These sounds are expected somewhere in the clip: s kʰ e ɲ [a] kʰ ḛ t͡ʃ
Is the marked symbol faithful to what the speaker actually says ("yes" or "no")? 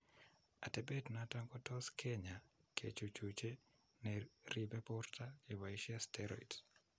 yes